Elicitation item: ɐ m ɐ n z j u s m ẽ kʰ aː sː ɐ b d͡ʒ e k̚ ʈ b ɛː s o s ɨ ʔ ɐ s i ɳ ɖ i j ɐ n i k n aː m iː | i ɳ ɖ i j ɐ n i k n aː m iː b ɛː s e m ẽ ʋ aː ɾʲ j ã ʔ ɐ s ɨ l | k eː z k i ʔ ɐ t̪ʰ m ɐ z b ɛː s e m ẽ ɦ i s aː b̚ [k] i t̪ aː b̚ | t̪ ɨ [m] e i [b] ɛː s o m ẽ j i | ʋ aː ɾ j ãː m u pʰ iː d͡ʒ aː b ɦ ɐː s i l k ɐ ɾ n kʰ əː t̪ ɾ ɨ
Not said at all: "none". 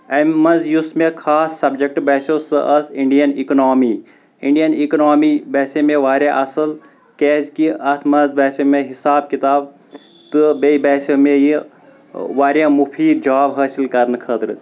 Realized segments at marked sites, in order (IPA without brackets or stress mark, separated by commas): k, b, b